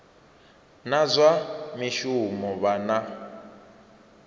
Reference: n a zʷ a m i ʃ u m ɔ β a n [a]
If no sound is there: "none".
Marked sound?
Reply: a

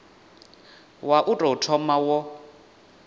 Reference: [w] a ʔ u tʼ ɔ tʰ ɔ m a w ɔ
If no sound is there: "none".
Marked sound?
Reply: w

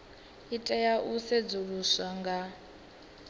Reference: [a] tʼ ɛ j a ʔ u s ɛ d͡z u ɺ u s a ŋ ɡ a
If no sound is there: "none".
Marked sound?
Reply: i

